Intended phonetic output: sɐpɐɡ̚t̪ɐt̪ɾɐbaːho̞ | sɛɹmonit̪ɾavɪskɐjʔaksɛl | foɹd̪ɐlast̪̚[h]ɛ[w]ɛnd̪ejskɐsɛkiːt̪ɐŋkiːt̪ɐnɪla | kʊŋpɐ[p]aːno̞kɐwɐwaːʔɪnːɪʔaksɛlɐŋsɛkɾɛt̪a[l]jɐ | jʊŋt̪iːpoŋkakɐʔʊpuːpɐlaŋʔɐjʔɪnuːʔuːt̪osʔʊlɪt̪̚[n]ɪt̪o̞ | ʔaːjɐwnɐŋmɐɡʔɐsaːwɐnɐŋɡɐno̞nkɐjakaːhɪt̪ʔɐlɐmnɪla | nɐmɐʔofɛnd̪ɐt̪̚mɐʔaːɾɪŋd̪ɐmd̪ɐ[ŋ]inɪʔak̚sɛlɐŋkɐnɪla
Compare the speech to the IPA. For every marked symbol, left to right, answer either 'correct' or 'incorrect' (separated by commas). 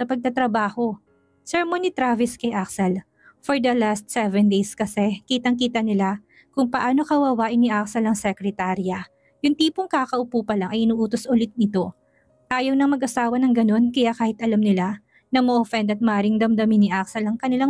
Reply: incorrect, incorrect, incorrect, incorrect, correct, incorrect